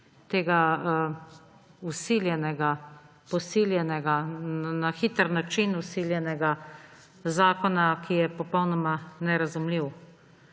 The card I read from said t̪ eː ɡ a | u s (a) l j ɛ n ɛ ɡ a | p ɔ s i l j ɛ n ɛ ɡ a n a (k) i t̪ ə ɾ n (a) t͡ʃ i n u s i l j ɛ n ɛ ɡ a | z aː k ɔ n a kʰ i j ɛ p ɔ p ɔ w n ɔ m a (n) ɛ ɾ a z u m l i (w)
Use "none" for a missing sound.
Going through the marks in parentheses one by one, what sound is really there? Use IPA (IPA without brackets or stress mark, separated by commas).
i, x, a, n, w